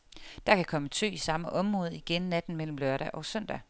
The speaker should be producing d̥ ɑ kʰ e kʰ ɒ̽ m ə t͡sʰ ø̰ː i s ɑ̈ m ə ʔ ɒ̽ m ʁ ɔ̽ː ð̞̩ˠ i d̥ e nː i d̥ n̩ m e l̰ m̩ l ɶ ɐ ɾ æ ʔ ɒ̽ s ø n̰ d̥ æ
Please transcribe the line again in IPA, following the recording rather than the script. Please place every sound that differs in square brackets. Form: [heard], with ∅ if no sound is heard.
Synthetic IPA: d̥ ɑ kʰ [æ] kʰ ɒ̽ m ə t͡sʰ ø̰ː i s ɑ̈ m ə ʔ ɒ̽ m ʁ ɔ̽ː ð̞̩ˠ i [ɡ̥] e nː [æ] d̥ n̩ m e l̰ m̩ l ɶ ɐ ɾ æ ʔ ɒ̽ s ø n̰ d̥ æ